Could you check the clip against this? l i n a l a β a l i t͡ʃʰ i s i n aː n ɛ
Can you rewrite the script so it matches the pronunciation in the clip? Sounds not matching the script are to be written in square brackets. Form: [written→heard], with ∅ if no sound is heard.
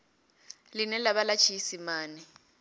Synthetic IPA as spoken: l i n [a→ɛ] l a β a l [i→a] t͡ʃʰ i s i [n→m] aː n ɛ